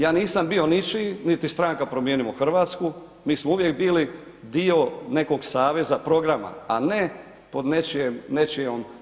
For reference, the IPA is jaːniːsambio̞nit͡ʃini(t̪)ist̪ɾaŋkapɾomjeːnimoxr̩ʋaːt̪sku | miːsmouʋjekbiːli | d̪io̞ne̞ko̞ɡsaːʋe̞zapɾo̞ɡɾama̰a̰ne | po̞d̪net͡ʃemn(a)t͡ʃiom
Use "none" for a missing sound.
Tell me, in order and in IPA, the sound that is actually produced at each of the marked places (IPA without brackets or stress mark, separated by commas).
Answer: t̪, e